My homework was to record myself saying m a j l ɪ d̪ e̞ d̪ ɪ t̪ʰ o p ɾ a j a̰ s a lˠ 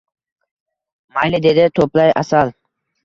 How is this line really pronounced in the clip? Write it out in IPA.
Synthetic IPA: m a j l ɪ d̪ e̞ d̪ ɪ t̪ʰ o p l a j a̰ s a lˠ